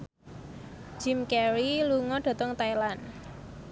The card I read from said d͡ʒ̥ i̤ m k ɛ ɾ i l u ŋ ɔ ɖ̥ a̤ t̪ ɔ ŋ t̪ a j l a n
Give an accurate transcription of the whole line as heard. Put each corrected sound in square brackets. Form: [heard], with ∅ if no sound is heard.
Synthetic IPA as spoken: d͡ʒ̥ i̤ m k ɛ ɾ i l u ŋ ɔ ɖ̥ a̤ t̪ ɔ ŋ t̪ a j l a n